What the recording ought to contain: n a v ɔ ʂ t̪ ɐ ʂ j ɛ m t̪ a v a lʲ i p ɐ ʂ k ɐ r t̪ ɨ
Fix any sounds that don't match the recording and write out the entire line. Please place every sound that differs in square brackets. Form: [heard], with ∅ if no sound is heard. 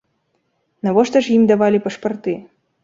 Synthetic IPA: n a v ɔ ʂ t̪ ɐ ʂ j [i] m [d̪] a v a lʲ i p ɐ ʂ [p] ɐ r t̪ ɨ